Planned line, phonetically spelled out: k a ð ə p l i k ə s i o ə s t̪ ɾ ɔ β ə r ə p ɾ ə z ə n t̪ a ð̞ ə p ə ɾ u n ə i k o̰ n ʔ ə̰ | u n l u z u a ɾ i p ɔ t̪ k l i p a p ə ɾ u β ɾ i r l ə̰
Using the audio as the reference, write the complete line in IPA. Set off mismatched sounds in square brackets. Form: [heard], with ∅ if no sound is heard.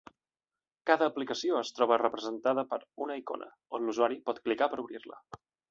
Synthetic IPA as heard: k a ð [əː] p l i k ə s i o ə s t̪ ɾ ɔ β ə r ə p ɾ ə z ə n t̪ a ð̞ ə p ə ɾ u n ə i k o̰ n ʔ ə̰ | [o] n l u z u a ɾ i p ɔ t̪ k l i [k] a p ə ɾ u β ɾ i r l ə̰